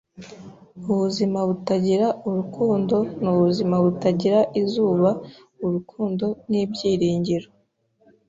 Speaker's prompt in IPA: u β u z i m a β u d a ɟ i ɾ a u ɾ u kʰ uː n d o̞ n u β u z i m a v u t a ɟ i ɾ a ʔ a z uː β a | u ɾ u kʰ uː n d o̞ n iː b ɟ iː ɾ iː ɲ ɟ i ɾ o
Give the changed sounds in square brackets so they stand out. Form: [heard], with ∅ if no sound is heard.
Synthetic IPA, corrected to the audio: u β u z i m a β u [t] a ɟ i ɾ a u ɾ u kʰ uː n d o̞ n u β u z i m a [β] u t a ɟ i ɾ a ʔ [i] z uː β a | u ɾ u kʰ uː n d o̞ n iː b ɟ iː ɾ iː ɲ ɟ i ɾ o